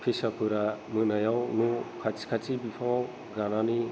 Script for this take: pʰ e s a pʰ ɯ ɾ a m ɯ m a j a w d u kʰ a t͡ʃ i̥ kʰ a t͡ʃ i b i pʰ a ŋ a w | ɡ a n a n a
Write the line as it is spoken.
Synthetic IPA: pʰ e s a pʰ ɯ ɾ a m ɯ n a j a w n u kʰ a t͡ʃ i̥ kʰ a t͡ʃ i b i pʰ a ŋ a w | ɡ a n a n i